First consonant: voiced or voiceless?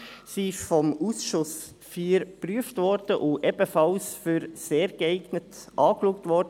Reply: voiceless